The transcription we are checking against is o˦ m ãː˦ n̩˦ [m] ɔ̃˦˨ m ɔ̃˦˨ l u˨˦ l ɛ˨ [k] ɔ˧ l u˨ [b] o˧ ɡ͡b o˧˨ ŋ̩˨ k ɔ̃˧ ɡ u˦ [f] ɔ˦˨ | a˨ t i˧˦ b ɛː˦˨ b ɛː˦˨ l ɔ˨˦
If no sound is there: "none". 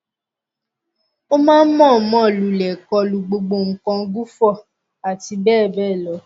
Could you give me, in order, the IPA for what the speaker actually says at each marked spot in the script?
m, k, ɡ͡b, f

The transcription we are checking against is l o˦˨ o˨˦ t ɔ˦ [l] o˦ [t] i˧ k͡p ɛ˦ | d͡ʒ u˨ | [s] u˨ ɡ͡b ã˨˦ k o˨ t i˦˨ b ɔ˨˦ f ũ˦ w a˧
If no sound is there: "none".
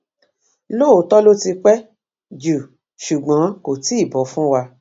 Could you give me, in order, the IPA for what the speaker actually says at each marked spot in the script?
l, t, ʃ

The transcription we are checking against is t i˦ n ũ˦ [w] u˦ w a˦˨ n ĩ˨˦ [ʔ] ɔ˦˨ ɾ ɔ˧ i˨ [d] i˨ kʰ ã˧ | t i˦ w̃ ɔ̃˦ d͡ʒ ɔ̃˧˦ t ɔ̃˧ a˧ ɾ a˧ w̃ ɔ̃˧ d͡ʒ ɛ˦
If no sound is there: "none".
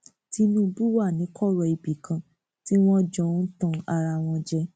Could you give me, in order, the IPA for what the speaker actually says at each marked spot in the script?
b, k, b

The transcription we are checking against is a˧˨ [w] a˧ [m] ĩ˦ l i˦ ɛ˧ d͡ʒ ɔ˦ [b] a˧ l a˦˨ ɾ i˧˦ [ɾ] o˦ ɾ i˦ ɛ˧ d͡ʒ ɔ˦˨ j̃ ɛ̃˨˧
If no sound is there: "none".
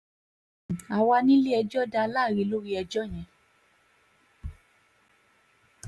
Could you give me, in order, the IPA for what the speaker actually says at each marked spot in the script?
w, n, d, l

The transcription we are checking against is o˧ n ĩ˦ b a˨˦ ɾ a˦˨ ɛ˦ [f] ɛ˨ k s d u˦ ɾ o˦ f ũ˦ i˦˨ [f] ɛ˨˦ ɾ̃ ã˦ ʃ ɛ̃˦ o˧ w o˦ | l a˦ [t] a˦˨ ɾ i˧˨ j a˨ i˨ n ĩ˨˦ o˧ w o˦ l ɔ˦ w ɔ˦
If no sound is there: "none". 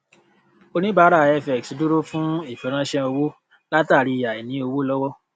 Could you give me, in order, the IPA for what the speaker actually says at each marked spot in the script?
f, f, t

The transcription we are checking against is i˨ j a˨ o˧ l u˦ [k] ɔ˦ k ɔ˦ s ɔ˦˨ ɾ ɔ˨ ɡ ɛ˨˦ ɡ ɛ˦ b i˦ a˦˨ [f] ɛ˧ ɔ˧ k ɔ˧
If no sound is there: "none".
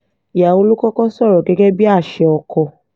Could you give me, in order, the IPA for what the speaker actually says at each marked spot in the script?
k, ʃ

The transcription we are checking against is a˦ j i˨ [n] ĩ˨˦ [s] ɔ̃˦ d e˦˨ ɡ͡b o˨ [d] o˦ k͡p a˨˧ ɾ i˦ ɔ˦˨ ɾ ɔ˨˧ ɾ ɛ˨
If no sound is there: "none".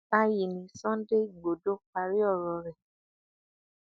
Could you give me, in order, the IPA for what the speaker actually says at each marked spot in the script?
n, s, d

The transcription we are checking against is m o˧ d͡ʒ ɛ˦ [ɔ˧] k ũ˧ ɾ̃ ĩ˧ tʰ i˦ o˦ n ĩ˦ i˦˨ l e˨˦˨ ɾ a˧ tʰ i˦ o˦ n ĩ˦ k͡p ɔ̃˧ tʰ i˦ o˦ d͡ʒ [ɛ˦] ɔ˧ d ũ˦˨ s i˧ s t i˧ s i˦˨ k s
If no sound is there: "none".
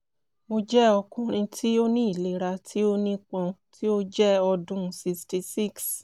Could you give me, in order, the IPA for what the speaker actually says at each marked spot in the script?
ɔ˧, ɛ˦

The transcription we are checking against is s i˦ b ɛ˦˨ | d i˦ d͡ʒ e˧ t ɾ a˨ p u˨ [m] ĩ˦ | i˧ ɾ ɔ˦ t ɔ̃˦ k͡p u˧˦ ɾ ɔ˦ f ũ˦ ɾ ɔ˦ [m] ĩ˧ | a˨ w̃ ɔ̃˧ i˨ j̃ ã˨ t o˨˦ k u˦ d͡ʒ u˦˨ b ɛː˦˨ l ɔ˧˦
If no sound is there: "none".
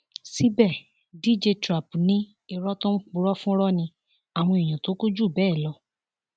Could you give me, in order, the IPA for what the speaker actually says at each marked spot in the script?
n, n

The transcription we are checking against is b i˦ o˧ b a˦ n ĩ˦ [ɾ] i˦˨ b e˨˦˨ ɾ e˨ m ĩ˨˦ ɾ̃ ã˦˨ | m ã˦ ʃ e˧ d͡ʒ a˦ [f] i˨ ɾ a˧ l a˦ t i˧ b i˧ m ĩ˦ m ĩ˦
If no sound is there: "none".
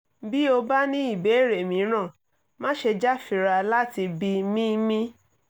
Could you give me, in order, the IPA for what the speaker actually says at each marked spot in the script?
none, f

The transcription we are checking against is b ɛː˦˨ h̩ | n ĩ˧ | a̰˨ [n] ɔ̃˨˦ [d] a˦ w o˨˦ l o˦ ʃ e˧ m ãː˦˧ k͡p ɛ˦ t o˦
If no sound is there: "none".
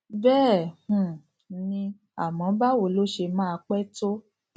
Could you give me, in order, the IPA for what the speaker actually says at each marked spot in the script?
m, b

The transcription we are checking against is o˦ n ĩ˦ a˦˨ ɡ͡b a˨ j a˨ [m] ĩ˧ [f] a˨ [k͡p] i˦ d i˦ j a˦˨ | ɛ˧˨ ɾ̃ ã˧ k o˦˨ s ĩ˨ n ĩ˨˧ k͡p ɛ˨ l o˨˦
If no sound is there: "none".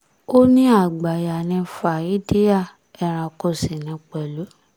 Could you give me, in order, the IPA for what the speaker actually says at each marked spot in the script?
n, f, none

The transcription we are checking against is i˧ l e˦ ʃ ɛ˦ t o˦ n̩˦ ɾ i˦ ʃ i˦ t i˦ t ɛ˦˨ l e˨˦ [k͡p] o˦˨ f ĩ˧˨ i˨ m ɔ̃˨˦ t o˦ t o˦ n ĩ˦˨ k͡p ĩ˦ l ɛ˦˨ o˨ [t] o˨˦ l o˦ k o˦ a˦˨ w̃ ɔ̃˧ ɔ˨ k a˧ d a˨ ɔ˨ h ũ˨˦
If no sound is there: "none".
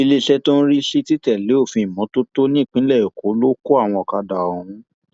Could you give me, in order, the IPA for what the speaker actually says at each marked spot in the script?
none, k

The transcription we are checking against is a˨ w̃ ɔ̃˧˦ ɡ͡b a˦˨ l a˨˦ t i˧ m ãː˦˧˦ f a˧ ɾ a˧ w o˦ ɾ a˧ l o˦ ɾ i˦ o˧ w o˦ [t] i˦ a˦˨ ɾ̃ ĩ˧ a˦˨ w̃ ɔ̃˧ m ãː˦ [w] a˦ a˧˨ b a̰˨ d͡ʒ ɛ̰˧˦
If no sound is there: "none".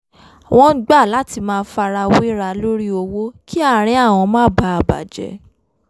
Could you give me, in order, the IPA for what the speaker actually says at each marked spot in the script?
k, b

